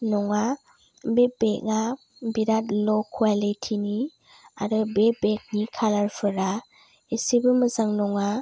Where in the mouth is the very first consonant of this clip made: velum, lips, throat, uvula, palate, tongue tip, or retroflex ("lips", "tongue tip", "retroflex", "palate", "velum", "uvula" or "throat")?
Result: tongue tip